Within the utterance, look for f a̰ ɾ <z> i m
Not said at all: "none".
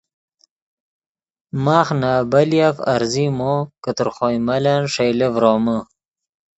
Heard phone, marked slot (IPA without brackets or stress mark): z